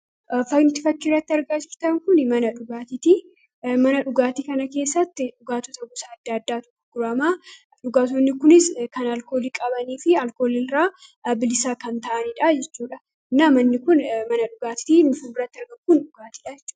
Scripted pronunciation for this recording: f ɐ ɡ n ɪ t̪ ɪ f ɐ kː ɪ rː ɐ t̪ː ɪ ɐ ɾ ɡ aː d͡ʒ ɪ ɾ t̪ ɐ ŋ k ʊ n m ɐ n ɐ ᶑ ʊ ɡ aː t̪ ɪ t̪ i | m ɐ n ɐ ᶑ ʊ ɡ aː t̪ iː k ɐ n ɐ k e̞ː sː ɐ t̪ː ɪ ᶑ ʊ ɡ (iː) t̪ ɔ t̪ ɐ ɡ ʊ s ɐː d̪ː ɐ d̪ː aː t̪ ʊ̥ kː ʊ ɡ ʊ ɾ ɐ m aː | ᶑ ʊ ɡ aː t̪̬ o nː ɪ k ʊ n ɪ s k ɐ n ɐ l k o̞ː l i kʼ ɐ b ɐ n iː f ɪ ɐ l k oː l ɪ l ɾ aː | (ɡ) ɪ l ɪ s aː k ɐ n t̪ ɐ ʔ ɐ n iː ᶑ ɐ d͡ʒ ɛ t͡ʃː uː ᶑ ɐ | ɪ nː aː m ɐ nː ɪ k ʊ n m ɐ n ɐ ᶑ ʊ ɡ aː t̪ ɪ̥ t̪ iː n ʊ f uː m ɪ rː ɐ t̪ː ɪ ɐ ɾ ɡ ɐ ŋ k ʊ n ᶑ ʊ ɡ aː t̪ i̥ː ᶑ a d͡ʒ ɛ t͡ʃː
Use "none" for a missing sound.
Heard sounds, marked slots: aː, b

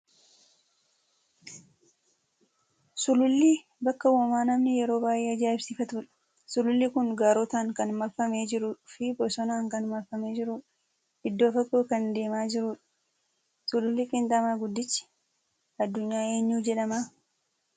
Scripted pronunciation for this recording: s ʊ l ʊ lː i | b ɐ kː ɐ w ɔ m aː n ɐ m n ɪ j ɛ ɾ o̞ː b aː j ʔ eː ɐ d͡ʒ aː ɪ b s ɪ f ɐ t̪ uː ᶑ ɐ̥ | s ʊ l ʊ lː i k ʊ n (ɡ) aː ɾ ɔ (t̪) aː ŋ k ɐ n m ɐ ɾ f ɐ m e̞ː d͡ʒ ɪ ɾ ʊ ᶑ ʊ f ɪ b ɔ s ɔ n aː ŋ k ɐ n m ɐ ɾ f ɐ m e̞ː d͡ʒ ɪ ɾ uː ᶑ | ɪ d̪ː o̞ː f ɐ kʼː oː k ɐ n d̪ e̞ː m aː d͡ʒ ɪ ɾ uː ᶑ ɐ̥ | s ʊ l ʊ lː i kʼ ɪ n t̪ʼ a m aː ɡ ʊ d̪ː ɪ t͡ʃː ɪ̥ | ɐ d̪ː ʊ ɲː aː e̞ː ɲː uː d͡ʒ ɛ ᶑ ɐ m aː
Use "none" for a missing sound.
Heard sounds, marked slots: ɡ, t̪

